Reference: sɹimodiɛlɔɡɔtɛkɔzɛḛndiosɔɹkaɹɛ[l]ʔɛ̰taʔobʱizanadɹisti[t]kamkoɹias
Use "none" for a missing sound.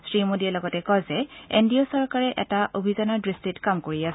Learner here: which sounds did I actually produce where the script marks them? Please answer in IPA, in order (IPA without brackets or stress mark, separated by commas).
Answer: none, t